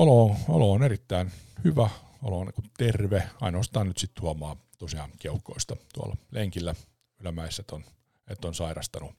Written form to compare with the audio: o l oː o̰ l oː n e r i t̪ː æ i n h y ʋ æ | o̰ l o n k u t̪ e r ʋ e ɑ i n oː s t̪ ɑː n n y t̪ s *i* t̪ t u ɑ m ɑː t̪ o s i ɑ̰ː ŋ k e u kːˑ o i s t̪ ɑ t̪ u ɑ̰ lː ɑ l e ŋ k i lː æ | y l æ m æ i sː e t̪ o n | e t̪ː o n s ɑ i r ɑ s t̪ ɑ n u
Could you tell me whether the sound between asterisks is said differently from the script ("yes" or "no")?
no